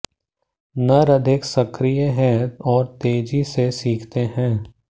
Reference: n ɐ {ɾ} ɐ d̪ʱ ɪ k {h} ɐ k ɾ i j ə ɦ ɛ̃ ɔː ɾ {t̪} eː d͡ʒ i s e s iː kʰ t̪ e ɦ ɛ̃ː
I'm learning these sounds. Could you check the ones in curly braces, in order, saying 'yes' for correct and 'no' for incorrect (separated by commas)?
yes, no, yes